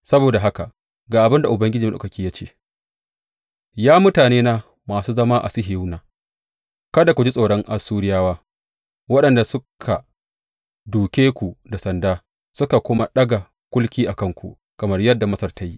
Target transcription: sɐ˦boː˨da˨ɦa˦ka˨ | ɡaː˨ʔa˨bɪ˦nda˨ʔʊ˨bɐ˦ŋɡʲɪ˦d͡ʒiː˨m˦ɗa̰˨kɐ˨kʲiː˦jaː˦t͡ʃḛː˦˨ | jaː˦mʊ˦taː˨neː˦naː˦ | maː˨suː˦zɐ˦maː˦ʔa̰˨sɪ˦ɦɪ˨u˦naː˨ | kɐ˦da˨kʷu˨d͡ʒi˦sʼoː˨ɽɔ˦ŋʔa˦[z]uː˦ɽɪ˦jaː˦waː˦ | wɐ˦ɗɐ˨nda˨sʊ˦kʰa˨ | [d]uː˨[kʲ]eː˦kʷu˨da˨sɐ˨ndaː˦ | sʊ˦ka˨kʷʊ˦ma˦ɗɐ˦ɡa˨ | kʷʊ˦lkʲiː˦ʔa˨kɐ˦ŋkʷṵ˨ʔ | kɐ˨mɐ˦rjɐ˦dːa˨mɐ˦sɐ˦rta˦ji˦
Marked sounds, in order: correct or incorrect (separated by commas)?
incorrect, correct, correct